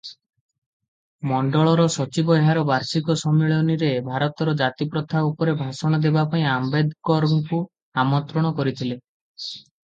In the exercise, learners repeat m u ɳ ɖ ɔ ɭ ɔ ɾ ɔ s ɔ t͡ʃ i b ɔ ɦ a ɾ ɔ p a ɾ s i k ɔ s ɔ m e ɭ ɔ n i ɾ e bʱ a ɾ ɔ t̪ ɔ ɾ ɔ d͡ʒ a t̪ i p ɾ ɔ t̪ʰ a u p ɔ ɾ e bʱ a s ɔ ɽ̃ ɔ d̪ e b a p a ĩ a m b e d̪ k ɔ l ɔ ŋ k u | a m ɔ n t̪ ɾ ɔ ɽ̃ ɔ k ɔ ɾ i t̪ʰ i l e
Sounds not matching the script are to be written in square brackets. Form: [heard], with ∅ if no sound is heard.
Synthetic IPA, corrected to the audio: m [ɔ] ɳ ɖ ɔ ɭ ɔ ɾ ɔ s ɔ t͡ʃ i b ɔ ɦ a ɾ ɔ [b] a ɾ s i k ɔ s ɔ m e ɭ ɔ n i ɾ e bʱ a ɾ ɔ t̪ ɔ ɾ ɔ d͡ʒ a t̪ i p ɾ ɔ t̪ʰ a u p ɔ ɾ e bʱ a s ɔ ɽ̃ ɔ d̪ e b a p a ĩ a m b e d̪ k ɔ [ɾ] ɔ ŋ k u | a m ɔ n t̪ ɾ ɔ ɽ̃ ɔ k ɔ ɾ i t̪ʰ i l e

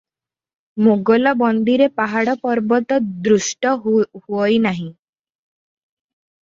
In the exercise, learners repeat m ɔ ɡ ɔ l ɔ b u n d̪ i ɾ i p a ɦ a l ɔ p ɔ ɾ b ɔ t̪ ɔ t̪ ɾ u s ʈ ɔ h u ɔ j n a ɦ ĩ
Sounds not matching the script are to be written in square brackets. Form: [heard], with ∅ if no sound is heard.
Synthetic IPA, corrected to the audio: m [o] ɡ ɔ l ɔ b [ɔ] n d̪ i ɾ [e] p a ɦ a [ɽ] ɔ p ɔ ɾ b ɔ t̪ ɔ [d̪] ɾ u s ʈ ɔ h u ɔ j n a ɦ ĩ

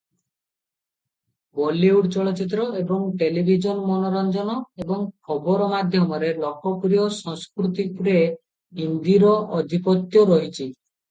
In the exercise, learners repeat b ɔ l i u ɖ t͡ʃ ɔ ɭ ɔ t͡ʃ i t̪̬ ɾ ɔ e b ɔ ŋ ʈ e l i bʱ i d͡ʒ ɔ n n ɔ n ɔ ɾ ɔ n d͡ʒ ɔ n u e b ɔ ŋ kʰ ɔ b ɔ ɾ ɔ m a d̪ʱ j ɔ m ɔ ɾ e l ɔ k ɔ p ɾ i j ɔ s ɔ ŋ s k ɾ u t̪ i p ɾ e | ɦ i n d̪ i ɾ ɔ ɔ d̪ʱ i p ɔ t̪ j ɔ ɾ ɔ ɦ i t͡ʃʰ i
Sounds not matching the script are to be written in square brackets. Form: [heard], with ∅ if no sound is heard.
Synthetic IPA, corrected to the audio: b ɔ l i u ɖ t͡ʃ ɔ ɭ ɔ t͡ʃ i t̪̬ ɾ ɔ e b ɔ ŋ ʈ e l i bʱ i d͡ʒ ɔ n [m] ɔ n ɔ ɾ ɔ n d͡ʒ ɔ n [ɔ] e b ɔ ŋ kʰ ɔ b ɔ ɾ ɔ m a d̪ʱ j ɔ m ɔ ɾ e l ɔ k ɔ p ɾ i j ɔ s ɔ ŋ s k ɾ u t̪ i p ɾ e | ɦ i n d̪ i ɾ ɔ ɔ d̪ʱ i p ɔ t̪ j ɔ ɾ ɔ ɦ i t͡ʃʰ i

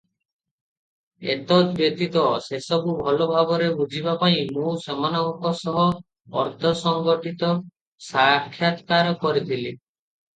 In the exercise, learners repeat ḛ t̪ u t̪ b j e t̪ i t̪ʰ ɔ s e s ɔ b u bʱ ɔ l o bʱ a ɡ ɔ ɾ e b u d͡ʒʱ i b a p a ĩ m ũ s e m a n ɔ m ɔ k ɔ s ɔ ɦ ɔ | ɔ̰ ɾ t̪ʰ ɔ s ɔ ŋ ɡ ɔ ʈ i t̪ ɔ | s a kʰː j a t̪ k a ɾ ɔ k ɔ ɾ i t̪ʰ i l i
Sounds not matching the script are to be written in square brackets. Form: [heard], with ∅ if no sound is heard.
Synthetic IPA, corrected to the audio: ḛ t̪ [ɔ] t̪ b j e t̪ i [t̪] ɔ s e s ɔ b u bʱ ɔ l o bʱ a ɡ ɔ ɾ e b u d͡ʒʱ i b a p a ĩ m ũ s e m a n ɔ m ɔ k ɔ s ɔ ɦ ɔ | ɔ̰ ɾ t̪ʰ ɔ s ɔ ŋ ɡ ɔ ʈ i t̪ ɔ | s a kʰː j a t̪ k a ɾ ɔ k ɔ ɾ i t̪ʰ i l i

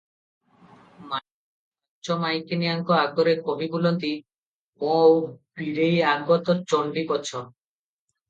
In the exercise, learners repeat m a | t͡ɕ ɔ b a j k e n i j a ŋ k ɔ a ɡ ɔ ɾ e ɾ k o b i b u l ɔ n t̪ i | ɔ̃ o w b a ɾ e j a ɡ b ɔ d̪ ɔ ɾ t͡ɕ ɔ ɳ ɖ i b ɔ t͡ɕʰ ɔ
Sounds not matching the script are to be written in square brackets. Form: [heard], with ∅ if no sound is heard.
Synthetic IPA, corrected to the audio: m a | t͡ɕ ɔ [m] a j k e n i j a ŋ k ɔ a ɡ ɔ ɾ e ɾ k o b i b u l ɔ n t̪ i | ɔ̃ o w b [i] ɾ e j a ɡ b ɔ [t̪] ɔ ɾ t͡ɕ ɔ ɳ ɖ i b ɔ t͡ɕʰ ɔ

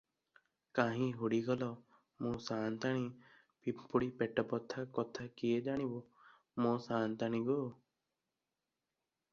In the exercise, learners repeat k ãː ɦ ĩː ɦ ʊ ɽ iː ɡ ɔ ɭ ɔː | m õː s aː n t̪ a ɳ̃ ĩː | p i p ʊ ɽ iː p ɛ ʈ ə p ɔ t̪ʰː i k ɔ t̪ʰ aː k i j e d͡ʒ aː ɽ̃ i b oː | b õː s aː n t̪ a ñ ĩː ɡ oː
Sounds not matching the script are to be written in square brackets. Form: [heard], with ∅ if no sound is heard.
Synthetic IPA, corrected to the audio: k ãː ɦ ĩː ɦ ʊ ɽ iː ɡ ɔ [l] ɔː | m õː s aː n t̪ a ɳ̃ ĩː | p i p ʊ ɽ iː p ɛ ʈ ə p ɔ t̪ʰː [a] k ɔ t̪ʰ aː k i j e d͡ʒ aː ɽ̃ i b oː | [m] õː s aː n t̪ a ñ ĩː ɡ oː

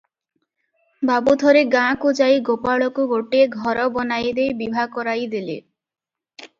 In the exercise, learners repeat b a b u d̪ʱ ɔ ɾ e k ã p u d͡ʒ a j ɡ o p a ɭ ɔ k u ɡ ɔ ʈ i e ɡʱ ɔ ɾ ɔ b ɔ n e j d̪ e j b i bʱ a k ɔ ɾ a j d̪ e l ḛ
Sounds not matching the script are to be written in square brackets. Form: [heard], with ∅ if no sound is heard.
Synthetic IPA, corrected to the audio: b a b u d̪ʱ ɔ ɾ e [ɡ] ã [k] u d͡ʒ a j ɡ o p a ɭ ɔ k u ɡ [o] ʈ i e ɡʱ ɔ ɾ ɔ b ɔ n [a] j d̪ e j b i bʱ a k ɔ ɾ a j d̪ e l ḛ

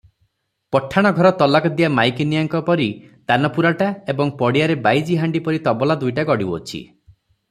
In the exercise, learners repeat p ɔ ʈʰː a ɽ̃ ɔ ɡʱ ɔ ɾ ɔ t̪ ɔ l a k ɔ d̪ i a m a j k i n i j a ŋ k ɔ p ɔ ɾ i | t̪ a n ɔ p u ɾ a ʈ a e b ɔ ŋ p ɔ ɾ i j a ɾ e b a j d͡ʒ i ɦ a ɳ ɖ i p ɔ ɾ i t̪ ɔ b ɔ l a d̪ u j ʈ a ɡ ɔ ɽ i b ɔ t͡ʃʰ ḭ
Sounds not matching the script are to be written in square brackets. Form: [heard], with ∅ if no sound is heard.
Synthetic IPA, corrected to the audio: p ɔ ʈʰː a ɽ̃ ɔ ɡʱ ɔ ɾ ɔ t̪ ɔ l a k ɔ d̪ i a m a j k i n i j a ŋ k ɔ p ɔ ɾ i | t̪ a n ɔ p u ɾ a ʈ a e b ɔ ŋ p ɔ [ɽ] i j a ɾ e b a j d͡ʒ i ɦ a ɳ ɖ i p ɔ ɾ i t̪ ɔ b ɔ l a d̪ u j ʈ a ɡ ɔ ɽ i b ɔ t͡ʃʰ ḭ

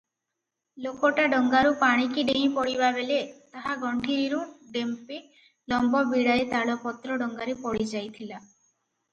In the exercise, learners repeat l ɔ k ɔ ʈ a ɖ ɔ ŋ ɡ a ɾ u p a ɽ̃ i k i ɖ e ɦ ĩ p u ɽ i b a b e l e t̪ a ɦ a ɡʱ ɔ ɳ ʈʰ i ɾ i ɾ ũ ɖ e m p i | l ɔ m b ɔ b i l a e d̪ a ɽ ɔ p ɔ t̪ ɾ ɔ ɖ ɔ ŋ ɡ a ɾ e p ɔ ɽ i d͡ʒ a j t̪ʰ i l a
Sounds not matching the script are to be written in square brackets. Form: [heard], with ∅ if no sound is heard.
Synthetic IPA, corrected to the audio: l [o] k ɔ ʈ a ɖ ɔ ŋ ɡ a ɾ u p a ɽ̃ i k i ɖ e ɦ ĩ p [ɔ] ɽ i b a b e l e t̪ a ɦ a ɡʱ ɔ ɳ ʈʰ i ɾ i ɾ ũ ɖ e m p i | l ɔ m b ɔ b i [ɽ] a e [t̪] a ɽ ɔ p ɔ t̪ ɾ ɔ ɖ ɔ ŋ ɡ a ɾ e p ɔ ɽ i d͡ʒ a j t̪ʰ i l a

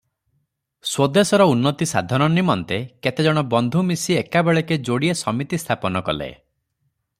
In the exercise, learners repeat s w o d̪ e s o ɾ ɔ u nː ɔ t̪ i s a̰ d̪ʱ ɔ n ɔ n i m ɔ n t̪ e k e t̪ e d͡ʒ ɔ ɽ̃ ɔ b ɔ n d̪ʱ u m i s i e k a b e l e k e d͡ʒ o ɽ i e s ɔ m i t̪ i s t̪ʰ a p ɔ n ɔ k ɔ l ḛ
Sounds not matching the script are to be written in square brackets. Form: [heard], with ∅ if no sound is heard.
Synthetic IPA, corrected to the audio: s w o d̪ e s [ɔ] ɾ ɔ u nː ɔ t̪ i s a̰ d̪ʱ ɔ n ɔ n i m ɔ n t̪ e k e t̪ e d͡ʒ ɔ ɽ̃ ɔ b ɔ n d̪ʱ u m i s i e k a b e [ɭ] e k e d͡ʒ o ɽ i e s ɔ m i t̪ i s t̪ʰ a p ɔ n ɔ k ɔ l ḛ

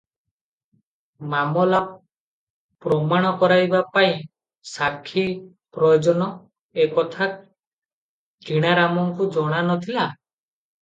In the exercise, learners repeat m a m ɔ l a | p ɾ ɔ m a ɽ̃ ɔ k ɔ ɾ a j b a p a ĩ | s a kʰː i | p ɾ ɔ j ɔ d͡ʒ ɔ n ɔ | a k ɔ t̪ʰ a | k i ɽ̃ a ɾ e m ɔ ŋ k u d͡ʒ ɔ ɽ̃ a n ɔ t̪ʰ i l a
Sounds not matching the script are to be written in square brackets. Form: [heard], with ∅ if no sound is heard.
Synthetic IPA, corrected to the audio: m a m ɔ l a | p ɾ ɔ m a ɽ̃ ɔ k ɔ ɾ a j b a p a ĩ | s a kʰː i | p ɾ ɔ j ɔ d͡ʒ ɔ n ɔ | [e] k ɔ t̪ʰ a | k i ɽ̃ a ɾ [a] m ɔ ŋ k u d͡ʒ ɔ ɽ̃ a n ɔ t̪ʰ i l a

